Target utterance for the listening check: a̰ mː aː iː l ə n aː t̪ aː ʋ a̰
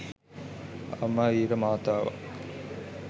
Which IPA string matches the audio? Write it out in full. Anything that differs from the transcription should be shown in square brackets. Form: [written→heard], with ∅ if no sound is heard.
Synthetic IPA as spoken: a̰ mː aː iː [l→ɾ] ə [n→m] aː t̪ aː ʋ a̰

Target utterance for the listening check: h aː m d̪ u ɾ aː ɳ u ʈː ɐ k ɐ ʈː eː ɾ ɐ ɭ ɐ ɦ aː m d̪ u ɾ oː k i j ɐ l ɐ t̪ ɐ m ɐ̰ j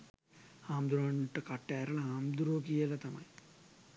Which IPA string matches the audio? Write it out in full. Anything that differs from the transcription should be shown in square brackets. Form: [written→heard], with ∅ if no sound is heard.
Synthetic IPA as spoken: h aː m d̪ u ɾ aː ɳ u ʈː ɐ k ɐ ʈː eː ɾ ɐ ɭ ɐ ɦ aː m d̪ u ɾ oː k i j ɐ l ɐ t̪ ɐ m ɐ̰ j

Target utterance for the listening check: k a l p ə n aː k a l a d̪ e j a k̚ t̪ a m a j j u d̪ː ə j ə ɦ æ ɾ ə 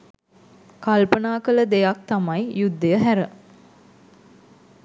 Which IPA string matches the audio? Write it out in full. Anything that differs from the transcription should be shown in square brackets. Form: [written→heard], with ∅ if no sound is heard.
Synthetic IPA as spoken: k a l p ə n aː k [a→ə] l [a→ə] d̪ e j a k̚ t̪ a m a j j u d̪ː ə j ə ɦ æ ɾ ə

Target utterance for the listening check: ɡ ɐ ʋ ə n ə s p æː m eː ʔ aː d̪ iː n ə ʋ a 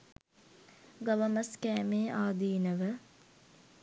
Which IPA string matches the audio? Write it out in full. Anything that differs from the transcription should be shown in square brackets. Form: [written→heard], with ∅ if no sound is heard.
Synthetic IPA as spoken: ɡ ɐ ʋ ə [n→m] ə s [p→k] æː m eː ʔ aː d̪ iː n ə ʋ [a→ə]

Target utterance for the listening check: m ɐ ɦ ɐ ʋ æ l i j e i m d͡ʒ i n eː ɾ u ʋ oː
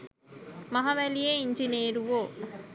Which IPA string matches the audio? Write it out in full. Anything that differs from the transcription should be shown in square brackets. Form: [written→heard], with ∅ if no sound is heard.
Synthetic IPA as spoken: m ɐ ɦ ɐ ʋ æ l i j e i [m→ɲ] d͡ʒ i n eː ɾ u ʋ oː

